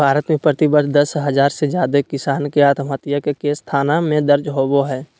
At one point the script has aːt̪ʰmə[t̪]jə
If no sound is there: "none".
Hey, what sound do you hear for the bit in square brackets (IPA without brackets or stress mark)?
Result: t̪